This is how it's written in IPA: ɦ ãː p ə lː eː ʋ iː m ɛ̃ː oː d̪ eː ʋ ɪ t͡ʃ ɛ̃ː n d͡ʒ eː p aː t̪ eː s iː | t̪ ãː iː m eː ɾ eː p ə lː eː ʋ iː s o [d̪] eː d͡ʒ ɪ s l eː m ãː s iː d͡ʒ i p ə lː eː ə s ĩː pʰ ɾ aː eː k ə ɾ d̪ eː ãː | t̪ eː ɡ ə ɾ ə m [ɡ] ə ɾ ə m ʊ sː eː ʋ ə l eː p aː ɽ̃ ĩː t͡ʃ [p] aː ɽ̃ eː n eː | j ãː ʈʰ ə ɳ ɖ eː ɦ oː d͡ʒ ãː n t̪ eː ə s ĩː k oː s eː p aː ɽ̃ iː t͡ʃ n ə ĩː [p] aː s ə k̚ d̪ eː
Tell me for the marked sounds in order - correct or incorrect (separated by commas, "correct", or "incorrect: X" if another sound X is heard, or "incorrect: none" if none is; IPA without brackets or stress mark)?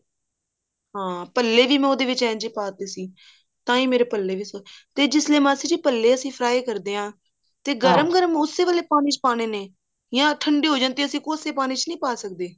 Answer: incorrect: t̪, correct, correct, correct